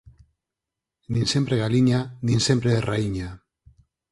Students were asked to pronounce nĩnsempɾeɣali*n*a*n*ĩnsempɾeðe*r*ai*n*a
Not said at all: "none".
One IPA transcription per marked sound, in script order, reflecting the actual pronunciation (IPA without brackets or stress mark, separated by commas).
ɲ, n, r, ɲ